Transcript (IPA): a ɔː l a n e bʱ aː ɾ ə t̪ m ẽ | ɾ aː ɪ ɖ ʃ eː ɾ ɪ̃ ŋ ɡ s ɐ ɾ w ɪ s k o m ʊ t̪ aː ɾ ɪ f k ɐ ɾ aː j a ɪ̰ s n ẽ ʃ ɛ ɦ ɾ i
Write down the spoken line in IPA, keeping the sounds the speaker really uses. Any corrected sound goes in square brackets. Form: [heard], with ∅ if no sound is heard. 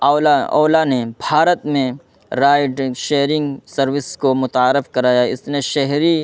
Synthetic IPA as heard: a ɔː l a n e bʱ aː ɾ ə t̪ m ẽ | ɾ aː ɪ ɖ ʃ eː ɾ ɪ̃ ŋ ɡ s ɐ ɾ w ɪ s k o m ʊ t̪ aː ɾ ɪ f k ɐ ɾ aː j a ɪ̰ s n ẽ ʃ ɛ ɦ ɾ i